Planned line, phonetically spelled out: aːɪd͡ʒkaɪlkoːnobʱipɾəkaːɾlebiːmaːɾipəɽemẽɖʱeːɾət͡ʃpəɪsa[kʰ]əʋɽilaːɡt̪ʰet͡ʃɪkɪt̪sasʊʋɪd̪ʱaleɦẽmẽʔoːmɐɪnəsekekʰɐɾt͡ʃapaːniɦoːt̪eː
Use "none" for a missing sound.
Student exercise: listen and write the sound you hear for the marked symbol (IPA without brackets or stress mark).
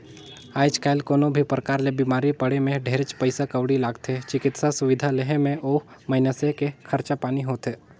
k